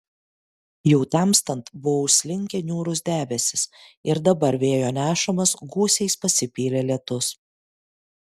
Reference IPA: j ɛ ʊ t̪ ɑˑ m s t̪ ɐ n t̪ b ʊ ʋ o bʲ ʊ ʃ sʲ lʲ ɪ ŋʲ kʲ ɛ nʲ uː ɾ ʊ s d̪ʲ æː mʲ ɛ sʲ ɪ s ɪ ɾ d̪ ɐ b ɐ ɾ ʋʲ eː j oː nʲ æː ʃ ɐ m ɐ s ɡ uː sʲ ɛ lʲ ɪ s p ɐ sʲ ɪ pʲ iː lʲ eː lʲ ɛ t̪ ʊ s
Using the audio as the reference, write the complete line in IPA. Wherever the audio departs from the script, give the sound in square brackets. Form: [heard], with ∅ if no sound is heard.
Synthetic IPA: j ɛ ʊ t̪ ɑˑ m s t̪ ɐ n t̪ b ʊ ʋ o [∅] ʊ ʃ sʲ lʲ ɪ ŋʲ kʲ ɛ nʲ uː ɾ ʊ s d̪ʲ æː [bʲ] ɛ sʲ ɪ s ɪ ɾ d̪ ɐ b ɐ ɾ ʋʲ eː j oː nʲ æː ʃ ɐ m ɐ s ɡ uː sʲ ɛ [∅] ɪ s p ɐ sʲ ɪ pʲ iː lʲ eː lʲ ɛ t̪ ʊ s